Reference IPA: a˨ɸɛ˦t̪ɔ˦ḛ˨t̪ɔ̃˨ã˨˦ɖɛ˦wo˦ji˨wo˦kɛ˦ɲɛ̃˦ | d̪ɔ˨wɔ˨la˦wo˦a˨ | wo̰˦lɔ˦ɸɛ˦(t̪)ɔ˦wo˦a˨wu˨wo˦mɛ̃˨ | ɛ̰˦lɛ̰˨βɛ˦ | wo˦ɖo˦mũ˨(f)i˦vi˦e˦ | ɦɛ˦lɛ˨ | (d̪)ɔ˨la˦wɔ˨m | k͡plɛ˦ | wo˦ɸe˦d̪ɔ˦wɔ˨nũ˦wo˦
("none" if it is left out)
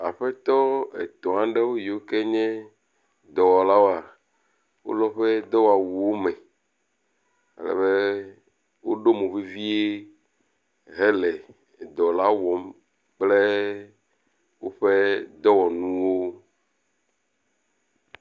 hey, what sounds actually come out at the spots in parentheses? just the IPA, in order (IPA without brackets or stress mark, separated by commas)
d̪, v, d̪